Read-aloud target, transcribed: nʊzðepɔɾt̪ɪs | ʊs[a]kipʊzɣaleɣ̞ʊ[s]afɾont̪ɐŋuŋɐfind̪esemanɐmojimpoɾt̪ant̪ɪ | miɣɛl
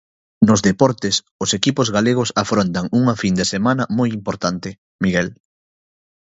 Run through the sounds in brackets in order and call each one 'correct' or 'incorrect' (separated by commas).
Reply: incorrect, correct